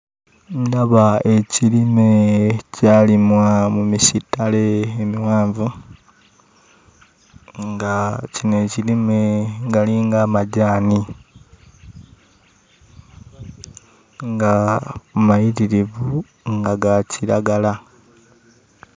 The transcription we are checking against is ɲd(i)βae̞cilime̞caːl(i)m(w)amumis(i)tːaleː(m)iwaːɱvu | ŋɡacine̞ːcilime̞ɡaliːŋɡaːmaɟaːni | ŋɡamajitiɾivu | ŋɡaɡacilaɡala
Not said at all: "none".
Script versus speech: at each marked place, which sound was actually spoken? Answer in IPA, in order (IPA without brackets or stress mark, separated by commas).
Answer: a, i, w, i, m